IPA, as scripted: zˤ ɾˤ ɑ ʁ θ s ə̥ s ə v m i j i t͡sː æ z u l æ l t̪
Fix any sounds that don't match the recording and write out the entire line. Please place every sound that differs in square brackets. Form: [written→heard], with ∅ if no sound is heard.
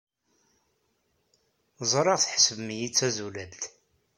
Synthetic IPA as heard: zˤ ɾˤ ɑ ʁ θ [s→ħ] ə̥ s ə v m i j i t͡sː æ z u l æ l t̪